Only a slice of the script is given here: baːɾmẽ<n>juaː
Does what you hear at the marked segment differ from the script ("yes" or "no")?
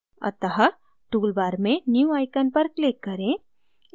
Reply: no